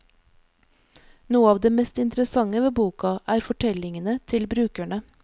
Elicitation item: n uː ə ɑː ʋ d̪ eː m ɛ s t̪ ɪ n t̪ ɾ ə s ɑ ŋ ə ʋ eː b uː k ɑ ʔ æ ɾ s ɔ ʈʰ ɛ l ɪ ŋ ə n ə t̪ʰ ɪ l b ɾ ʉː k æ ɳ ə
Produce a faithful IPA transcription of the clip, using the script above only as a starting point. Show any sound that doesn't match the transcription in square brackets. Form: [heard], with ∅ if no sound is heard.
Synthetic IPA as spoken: n uː ə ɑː ʋ d̪ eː m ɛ s t̪ ɪ n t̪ ɾ ə s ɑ ŋ ə ʋ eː b uː k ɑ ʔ [æː] ɾ [f] ɔ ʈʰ ɛ l ɪ ŋ ə n ə t̪ʰ ɪ l b ɾ ʉː k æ ɳ ə